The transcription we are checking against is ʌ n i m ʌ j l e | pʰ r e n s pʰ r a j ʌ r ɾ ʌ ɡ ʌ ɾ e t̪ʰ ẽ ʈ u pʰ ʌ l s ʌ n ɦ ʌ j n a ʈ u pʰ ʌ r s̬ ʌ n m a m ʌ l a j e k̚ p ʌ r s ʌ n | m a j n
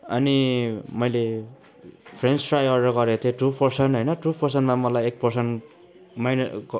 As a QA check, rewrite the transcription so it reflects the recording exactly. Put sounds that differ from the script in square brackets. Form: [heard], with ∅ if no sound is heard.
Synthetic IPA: ʌ n i m ʌ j l e | pʰ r e n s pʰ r a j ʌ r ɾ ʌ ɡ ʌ ɾ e t̪ʰ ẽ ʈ u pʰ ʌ [r] s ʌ n ɦ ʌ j n [ʌ] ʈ u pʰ ʌ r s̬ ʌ n m a m ʌ l a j e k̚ p ʌ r s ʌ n | m a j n